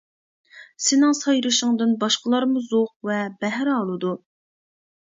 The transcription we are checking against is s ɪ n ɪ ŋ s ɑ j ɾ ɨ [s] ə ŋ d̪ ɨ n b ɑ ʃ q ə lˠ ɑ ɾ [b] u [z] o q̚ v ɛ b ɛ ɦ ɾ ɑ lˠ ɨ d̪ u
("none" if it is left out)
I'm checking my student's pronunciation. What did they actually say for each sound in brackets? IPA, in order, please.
ʃ, m, z

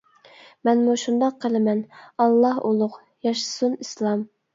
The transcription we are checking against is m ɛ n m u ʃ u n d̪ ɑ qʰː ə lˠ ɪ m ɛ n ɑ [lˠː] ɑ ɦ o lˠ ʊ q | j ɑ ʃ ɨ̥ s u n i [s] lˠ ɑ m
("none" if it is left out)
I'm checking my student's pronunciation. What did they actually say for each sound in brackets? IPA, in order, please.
lˠː, s

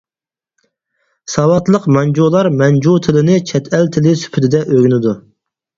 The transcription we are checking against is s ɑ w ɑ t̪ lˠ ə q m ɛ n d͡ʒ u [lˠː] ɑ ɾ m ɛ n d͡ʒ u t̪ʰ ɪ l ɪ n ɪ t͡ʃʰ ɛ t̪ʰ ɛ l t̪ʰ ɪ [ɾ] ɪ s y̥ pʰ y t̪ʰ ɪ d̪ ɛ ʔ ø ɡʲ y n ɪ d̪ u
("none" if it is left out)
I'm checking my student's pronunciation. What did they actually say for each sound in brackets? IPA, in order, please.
lˠ, l

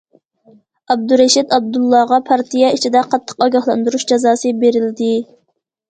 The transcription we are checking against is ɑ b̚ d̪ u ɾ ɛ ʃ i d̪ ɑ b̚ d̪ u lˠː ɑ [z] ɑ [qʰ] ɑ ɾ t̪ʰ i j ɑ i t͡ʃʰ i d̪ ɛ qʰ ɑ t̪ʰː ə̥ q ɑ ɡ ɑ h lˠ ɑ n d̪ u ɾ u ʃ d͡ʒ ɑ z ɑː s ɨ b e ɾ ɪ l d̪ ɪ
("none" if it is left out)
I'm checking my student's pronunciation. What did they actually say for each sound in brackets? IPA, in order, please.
ʁ, pʰ

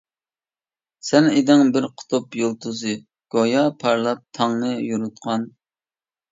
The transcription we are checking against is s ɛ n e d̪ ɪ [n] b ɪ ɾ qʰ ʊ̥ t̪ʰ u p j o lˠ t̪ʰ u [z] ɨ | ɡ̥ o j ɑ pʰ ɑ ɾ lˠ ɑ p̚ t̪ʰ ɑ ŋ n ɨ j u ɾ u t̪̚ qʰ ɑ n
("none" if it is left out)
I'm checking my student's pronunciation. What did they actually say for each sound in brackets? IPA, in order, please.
ŋ, z

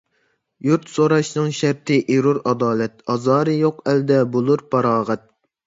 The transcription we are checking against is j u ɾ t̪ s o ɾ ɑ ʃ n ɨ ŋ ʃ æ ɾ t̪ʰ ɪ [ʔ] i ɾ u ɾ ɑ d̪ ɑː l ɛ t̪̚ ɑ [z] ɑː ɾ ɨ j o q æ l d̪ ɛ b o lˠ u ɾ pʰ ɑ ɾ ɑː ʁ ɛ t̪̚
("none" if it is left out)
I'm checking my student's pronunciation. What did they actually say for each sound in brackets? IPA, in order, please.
ʔ, z

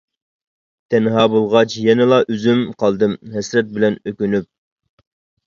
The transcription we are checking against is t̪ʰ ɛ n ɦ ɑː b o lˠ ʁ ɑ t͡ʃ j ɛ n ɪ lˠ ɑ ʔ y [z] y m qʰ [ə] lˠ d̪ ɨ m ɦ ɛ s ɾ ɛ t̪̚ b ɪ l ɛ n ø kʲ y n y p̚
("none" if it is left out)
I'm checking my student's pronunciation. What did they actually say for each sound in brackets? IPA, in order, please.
z, ɑ

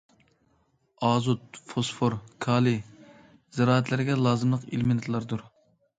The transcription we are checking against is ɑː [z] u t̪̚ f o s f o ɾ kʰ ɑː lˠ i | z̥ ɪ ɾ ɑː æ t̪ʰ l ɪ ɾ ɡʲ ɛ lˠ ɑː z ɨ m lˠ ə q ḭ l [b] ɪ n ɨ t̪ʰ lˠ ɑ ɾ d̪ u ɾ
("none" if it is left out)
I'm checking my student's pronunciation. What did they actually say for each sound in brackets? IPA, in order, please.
z, m

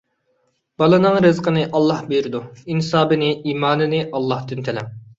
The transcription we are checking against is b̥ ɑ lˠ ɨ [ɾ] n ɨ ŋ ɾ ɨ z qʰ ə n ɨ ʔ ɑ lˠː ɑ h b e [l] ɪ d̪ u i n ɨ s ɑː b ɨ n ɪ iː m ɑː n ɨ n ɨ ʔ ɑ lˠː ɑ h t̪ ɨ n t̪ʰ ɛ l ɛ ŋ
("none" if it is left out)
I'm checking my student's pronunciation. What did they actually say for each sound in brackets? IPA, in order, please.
none, ɾ

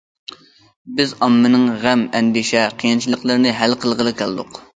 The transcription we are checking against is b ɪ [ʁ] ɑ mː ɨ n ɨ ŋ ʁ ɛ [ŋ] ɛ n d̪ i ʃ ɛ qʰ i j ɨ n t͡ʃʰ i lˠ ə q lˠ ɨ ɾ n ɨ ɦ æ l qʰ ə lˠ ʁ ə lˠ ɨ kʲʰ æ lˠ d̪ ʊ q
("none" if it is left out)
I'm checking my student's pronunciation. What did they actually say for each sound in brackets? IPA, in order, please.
z, m

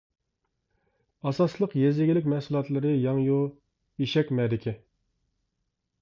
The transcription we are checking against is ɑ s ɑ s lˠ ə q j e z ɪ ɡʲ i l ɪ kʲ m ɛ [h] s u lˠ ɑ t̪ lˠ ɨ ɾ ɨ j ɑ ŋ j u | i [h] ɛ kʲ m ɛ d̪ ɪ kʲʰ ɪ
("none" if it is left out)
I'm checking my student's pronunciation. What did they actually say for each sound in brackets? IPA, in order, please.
h, ʃ

